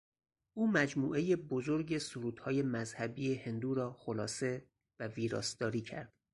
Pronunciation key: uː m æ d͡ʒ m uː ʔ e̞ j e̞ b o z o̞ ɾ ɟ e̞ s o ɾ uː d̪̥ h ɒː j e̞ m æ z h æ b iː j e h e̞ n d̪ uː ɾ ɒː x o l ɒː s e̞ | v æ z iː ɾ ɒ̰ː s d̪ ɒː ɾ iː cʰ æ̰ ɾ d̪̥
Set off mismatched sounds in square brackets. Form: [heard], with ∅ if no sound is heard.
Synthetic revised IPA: uː m æ d͡ʒ m uː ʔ e̞ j e̞ b o z o̞ ɾ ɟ e̞ s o ɾ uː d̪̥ h ɒː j e̞ m æ z h æ b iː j e h e̞ n d̪ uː ɾ ɒː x o l ɒː s e̞ | v æ [v] iː ɾ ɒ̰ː s d̪ ɒː ɾ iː cʰ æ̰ ɾ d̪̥